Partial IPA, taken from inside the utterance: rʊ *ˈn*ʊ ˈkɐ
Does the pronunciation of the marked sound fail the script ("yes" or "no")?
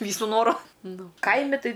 no